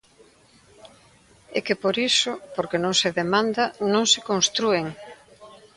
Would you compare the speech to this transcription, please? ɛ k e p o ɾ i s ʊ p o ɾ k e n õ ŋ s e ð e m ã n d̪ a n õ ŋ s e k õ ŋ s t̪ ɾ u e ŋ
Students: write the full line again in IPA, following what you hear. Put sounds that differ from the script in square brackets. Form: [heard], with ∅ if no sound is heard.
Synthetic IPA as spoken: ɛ k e p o ɾ i s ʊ p o ɾ k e n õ ŋ s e ð e m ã n d̪ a n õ ŋ s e k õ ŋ s t̪ ɾ u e ŋ